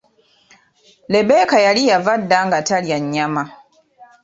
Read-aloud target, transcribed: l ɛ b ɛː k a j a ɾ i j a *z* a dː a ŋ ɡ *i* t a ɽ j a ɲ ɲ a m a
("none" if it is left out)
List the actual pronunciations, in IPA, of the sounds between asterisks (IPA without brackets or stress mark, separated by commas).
v, a